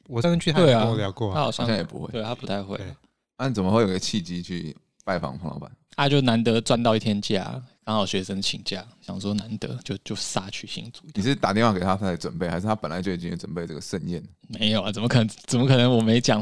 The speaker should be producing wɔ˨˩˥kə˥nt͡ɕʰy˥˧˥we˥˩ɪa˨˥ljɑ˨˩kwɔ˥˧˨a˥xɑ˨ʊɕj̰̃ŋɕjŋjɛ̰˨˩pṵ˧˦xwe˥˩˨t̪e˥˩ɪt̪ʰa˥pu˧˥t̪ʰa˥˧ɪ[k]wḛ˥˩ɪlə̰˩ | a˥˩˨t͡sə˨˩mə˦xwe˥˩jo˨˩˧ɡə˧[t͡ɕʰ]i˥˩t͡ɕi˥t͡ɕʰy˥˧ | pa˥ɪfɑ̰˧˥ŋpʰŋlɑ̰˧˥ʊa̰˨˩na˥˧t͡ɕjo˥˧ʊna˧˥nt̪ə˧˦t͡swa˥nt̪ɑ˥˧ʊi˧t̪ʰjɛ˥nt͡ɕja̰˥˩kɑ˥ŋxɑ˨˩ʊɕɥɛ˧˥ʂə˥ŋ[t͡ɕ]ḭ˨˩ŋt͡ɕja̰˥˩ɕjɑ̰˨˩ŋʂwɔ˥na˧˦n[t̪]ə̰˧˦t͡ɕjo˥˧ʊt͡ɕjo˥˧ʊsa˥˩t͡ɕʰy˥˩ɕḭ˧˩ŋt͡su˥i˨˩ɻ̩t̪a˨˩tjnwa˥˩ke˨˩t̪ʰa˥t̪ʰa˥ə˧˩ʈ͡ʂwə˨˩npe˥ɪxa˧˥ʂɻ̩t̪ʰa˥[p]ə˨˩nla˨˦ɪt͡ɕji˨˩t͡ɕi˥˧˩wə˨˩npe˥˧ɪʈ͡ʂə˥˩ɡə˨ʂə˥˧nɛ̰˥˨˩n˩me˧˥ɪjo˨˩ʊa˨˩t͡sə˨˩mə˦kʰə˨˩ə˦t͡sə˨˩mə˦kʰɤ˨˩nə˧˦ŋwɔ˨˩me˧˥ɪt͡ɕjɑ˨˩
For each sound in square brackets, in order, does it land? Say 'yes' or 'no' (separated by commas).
no, yes, no, yes, yes